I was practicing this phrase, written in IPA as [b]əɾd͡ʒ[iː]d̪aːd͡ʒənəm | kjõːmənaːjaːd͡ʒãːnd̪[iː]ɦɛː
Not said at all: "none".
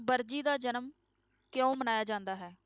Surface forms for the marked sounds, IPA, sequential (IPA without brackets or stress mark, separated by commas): b, iː, aː